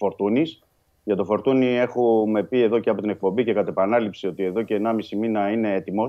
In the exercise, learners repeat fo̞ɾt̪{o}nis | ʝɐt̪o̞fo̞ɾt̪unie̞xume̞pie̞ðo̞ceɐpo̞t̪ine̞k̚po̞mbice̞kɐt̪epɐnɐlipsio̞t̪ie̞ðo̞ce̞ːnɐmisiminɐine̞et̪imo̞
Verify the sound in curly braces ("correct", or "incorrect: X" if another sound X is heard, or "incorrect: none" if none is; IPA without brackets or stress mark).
incorrect: u